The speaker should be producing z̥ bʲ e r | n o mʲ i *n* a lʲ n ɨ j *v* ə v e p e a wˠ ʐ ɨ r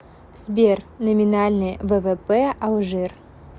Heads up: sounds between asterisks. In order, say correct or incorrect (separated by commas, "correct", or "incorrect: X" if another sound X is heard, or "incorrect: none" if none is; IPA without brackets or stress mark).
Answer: correct, correct